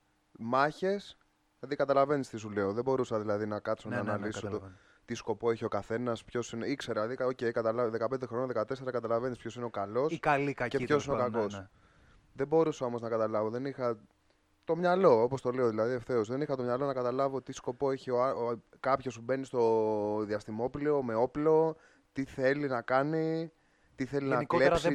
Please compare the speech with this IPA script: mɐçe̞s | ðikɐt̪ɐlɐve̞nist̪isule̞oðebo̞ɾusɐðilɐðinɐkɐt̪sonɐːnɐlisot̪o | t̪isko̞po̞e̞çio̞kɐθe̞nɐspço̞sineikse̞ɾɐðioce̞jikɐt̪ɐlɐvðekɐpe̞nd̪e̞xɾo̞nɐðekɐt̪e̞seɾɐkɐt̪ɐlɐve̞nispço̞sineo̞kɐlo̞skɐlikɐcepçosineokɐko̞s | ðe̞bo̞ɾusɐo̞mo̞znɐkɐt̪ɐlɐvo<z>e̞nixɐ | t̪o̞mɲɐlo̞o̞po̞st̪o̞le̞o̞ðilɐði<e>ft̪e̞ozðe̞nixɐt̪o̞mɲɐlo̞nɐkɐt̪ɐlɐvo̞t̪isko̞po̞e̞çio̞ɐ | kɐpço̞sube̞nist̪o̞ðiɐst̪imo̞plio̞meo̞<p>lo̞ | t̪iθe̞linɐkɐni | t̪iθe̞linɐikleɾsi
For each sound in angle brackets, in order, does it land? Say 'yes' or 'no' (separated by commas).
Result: no, yes, yes